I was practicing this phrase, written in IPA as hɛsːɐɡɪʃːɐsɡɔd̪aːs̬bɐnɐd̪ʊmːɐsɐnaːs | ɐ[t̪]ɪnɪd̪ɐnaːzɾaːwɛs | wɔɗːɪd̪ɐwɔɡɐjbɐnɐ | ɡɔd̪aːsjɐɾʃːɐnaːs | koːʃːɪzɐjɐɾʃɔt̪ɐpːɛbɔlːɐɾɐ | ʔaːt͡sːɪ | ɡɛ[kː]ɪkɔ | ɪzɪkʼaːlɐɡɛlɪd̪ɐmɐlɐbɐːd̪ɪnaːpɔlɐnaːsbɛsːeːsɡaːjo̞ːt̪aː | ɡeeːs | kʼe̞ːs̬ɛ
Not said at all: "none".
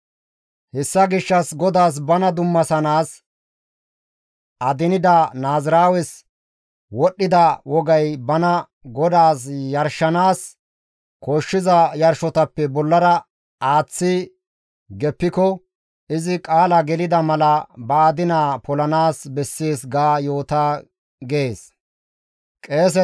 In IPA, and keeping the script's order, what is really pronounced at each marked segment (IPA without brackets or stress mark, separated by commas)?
d̪, pː